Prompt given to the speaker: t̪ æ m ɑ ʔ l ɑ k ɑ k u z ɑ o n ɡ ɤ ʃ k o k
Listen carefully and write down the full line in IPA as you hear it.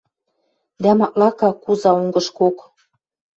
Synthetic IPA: d̪ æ m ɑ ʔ l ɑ k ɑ k u z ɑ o ŋ ɡ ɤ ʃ k o k